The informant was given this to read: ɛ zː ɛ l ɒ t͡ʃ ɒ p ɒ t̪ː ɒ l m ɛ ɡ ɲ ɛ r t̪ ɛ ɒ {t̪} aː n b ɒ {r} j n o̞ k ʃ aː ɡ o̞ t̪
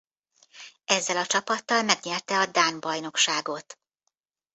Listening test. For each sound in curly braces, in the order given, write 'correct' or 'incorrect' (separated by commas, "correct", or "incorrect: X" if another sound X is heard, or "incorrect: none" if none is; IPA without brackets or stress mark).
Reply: incorrect: d̪, incorrect: none